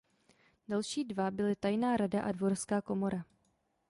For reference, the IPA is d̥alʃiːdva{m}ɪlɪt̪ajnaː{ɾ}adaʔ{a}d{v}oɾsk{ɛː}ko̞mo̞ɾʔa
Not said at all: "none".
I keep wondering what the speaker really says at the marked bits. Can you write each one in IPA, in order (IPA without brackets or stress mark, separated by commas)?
b, ɾ, a, v, aː